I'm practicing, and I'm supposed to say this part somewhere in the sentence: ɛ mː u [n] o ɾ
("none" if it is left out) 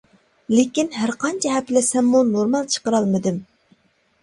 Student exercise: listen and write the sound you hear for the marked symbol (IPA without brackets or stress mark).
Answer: n